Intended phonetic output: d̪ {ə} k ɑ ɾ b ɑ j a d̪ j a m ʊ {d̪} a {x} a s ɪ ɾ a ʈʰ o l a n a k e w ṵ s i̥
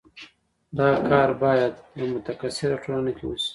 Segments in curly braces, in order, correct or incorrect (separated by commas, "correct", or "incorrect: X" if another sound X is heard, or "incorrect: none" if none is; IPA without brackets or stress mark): incorrect: ɑ, incorrect: t̪, incorrect: k